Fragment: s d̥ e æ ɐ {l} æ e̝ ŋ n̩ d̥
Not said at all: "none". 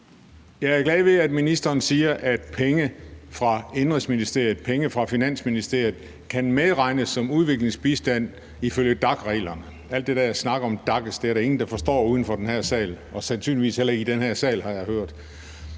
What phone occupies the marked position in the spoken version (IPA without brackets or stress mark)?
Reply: ɾ